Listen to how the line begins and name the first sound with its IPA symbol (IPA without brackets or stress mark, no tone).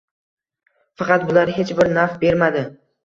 f